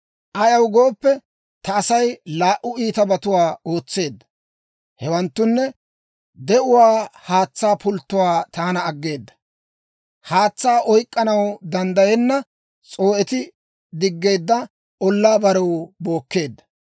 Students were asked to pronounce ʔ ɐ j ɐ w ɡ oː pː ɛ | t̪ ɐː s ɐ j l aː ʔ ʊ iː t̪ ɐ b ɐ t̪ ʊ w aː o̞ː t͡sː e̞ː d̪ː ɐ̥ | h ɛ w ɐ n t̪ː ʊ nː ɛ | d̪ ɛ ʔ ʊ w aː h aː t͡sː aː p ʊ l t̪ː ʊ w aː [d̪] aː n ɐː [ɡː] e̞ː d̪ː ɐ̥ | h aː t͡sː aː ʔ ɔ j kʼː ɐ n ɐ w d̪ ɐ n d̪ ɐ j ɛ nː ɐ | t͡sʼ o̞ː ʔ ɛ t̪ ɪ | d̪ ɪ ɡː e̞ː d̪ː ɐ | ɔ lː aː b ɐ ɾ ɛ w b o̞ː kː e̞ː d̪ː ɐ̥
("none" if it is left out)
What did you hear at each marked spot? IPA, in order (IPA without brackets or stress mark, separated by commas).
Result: t̪, ɡː